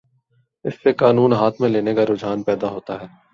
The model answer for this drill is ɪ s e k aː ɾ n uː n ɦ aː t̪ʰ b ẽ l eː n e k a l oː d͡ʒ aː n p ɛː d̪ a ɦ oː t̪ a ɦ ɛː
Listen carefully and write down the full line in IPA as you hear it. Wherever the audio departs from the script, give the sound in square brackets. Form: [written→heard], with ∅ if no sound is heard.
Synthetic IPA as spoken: ɪ [s→sː] e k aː [ɾ→∅] n uː n ɦ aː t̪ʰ [b→m] ẽ l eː n e k a [l→ɾ] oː d͡ʒ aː n p ɛː d̪ a ɦ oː t̪ a ɦ ɛː

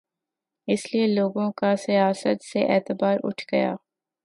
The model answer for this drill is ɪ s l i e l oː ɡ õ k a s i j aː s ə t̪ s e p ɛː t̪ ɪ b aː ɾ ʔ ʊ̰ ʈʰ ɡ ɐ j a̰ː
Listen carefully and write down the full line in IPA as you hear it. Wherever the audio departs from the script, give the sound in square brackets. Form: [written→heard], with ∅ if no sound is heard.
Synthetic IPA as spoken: ɪ s l i e l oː ɡ õ k a s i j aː s ə t̪ s e [p→ʔ] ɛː t̪ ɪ b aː ɾ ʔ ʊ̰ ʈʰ ɡ ɐ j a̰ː

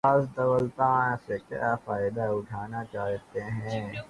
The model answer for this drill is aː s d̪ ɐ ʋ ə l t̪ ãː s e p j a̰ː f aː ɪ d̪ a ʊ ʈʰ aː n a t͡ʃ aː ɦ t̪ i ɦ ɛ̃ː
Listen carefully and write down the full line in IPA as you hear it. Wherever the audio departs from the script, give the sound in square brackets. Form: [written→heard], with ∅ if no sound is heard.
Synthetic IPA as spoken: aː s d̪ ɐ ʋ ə l t̪ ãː s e [p→k] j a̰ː f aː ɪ d̪ a ʊ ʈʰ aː n a t͡ʃ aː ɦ t̪ [i→e] ɦ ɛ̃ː

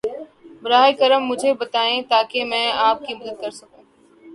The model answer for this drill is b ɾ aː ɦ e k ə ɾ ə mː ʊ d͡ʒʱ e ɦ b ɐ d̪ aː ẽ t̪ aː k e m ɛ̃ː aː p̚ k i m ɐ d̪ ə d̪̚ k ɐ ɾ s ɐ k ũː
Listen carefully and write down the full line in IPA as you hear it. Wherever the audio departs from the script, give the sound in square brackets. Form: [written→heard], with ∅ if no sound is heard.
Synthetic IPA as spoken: b ɾ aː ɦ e k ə ɾ ə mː ʊ d͡ʒʱ e [ɦ→∅] b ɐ [d̪→t̪] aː ẽ t̪ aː k e m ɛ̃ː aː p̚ k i m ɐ d̪ ə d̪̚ k ɐ ɾ s ɐ k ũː

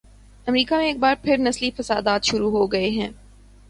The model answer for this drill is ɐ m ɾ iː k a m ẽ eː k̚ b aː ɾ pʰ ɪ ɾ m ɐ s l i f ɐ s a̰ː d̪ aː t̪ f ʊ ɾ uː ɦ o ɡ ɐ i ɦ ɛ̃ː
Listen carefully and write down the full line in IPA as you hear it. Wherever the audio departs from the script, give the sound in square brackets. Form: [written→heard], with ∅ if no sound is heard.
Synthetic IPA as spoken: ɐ m ɾ iː k a m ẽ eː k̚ b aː ɾ pʰ ɪ ɾ [m→n] ɐ s l i f ɐ s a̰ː d̪ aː t̪ [f→ʃ] ʊ ɾ [uː→u] ɦ o ɡ ɐ [i→e] ɦ ɛ̃ː

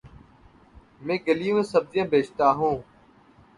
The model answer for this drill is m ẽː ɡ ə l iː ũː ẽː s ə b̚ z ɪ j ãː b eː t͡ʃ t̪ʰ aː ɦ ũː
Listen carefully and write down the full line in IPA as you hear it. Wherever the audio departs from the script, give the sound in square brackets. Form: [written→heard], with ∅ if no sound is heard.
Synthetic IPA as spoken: m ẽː ɡ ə l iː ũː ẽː s ə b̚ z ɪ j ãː b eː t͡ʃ [t̪ʰ→t̪] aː ɦ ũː

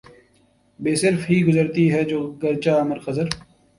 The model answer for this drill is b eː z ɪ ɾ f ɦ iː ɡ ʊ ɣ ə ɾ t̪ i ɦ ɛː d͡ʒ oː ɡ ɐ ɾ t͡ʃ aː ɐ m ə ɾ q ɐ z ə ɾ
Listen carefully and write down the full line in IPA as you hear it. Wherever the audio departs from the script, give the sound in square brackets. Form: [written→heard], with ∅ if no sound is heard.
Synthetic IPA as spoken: b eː [z→s] ɪ ɾ f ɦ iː ɡ ʊ [ɣ→z] ə ɾ t̪ i ɦ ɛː d͡ʒ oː ɡ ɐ ɾ t͡ʃ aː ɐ m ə ɾ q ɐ z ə ɾ

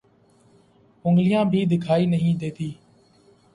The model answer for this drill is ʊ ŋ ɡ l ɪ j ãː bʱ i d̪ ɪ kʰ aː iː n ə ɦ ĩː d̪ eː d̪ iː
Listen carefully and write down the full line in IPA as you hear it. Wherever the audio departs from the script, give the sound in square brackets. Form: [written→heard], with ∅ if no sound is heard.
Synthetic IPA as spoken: ʊ ŋ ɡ l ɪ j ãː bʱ [i→iː] d̪ ɪ kʰ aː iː n ə ɦ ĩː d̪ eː [d̪→t̪] iː

